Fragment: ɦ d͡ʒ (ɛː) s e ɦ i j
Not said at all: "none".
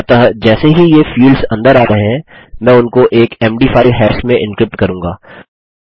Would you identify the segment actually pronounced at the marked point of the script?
ɛː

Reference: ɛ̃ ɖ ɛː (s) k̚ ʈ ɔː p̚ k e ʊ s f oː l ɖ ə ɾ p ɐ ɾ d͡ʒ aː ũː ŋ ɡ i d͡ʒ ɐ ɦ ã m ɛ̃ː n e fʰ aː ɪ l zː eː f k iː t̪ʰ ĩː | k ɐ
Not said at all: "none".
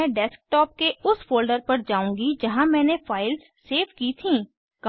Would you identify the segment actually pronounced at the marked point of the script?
s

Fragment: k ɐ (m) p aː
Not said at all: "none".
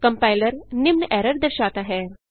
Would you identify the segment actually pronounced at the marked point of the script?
m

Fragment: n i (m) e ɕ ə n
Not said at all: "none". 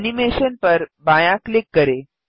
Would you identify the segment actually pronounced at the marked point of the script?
m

